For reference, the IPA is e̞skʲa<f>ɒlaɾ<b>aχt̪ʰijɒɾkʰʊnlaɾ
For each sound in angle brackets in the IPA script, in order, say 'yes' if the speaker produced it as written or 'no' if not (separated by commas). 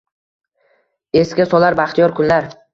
no, yes